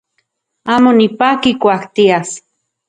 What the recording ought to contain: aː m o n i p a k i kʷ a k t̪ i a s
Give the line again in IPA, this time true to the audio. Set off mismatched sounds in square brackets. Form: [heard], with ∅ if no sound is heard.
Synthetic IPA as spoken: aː m o n i p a k i kʷ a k t̪ i a s